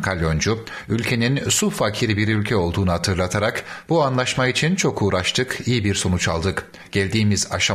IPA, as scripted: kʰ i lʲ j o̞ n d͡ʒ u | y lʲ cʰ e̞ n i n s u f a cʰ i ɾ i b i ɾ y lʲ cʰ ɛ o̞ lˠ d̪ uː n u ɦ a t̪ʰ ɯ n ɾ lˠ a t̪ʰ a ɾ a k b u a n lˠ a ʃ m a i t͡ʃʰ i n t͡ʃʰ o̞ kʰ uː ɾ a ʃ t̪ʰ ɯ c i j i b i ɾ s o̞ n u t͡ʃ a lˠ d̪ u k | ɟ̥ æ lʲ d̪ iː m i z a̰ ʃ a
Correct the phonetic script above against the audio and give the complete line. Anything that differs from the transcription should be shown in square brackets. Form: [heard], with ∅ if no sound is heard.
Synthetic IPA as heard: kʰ [a] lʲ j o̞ n d͡ʒ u | y lʲ cʰ e̞ n i n s u f a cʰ i ɾ i b i ɾ y lʲ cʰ ɛ o̞ lˠ d̪ uː n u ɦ a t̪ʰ ɯ [∅] ɾ lˠ a t̪ʰ a ɾ a k b u a n lˠ a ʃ m a i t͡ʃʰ i n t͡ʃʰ o̞ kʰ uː ɾ a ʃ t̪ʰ ɯ [k] i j i b i ɾ s o̞ n u t͡ʃ a lˠ d̪ [ɯ] k | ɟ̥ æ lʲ d̪ iː m i z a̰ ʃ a